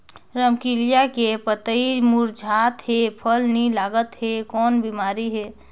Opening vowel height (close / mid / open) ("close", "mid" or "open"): mid